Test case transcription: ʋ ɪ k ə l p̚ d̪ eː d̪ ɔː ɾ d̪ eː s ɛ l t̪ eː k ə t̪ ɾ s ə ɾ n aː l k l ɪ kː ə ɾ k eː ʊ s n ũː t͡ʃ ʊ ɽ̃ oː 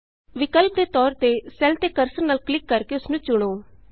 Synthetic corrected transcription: ʋ ɪ k ə l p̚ d̪ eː t̪ ɔː ɾ t̪ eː s ɛ l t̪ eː k ə ɾ s ə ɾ n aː l k l ɪ kː ə ɾ k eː ʊ s n ũː t͡ʃ ʊ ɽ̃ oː